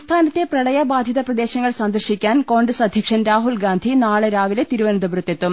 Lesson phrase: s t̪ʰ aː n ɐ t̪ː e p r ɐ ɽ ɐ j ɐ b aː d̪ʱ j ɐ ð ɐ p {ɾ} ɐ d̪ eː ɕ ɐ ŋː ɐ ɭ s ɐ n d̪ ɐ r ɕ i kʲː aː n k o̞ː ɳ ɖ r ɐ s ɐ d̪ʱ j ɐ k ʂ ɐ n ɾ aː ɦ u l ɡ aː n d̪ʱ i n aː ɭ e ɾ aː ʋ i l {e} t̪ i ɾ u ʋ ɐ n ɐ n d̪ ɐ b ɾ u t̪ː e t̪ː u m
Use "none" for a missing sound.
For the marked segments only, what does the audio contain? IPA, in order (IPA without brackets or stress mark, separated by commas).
r, e